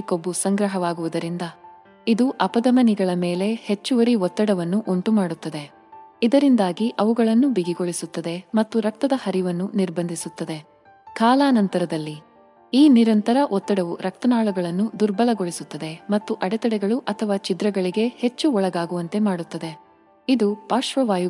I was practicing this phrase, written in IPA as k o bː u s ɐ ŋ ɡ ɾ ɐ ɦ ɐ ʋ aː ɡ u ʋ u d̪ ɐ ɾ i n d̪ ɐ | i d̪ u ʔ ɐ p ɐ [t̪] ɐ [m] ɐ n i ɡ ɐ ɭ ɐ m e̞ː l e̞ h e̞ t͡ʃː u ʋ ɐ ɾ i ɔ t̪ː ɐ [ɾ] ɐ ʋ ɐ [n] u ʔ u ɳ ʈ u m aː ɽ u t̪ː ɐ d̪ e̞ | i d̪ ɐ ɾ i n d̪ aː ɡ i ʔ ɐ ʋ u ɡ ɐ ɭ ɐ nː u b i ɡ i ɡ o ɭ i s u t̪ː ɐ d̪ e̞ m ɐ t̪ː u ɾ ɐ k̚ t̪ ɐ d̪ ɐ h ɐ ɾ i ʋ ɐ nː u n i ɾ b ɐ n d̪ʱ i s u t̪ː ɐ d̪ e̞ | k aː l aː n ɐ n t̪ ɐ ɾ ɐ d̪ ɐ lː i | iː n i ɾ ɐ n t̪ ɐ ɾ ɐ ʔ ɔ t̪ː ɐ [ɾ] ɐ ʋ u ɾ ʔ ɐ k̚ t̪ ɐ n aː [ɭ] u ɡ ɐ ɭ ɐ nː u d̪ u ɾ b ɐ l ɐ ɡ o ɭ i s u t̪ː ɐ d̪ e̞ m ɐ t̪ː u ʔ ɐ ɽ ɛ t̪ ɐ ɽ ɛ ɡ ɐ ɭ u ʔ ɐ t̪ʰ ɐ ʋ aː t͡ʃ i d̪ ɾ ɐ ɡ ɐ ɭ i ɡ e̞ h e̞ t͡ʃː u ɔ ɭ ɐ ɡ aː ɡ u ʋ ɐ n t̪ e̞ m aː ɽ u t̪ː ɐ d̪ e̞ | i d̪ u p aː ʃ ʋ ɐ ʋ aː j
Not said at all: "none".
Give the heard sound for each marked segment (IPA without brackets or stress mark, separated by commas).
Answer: d̪, m, ɽ, nː, ɽ, ɭ